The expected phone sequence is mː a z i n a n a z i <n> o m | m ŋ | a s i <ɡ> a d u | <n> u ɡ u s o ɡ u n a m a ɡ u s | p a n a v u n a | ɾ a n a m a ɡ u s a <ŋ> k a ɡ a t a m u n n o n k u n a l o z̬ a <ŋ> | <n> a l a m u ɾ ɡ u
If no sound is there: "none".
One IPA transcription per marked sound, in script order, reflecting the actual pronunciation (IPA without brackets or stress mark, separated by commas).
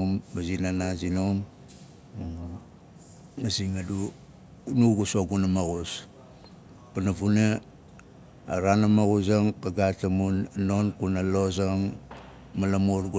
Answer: n, ŋ, n, ŋ, ŋ, m